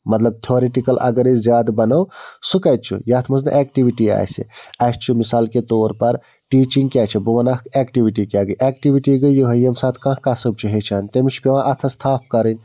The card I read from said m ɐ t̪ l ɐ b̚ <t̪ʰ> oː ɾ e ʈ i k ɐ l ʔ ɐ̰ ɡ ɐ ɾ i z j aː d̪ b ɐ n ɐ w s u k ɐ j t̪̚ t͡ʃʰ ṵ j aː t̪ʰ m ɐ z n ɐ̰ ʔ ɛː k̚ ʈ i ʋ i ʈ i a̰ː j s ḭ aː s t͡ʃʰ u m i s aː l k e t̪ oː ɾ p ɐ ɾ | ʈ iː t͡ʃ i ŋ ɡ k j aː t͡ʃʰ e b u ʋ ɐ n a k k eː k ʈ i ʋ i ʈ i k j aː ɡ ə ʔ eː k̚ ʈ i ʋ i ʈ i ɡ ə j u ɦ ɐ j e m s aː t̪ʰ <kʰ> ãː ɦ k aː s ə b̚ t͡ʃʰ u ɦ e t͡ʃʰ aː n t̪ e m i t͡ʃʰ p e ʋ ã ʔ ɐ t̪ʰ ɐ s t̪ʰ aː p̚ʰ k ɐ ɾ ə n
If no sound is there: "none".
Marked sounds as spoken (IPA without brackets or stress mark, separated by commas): t̪ʰ, k